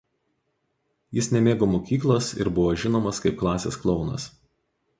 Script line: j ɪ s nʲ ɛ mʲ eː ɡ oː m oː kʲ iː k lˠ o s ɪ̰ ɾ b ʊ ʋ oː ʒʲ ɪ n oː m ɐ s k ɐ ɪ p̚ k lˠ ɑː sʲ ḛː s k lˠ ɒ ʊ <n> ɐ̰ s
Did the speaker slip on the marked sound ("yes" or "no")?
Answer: no